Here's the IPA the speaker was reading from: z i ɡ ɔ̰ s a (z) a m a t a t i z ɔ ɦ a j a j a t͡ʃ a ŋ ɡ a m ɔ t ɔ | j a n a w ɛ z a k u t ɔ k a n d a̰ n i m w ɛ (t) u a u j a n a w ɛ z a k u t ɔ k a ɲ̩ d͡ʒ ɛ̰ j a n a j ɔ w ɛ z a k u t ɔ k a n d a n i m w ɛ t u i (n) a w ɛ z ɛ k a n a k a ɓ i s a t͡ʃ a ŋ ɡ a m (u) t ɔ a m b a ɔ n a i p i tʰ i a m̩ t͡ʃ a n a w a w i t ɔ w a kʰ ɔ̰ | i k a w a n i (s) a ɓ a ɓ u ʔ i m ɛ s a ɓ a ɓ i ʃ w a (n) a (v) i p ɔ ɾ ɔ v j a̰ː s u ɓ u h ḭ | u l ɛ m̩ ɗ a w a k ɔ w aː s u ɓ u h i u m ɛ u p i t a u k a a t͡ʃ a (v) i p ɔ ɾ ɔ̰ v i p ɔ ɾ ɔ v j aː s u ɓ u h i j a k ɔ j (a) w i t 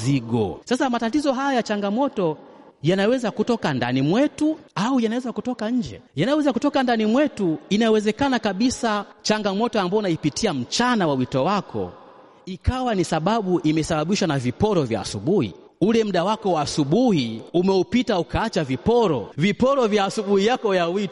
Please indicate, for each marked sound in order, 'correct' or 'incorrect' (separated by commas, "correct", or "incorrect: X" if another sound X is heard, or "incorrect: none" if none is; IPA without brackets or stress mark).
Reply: incorrect: s, correct, correct, incorrect: ɔ, correct, correct, correct, correct, correct